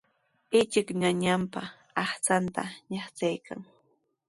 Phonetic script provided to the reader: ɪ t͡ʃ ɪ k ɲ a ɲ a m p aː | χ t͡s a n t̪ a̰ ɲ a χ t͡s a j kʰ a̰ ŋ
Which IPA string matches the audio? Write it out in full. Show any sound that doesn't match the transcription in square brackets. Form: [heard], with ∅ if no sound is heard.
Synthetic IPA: ɪ t͡ʃ ɪ k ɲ a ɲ a m p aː | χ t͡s a n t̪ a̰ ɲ a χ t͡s a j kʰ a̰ ŋ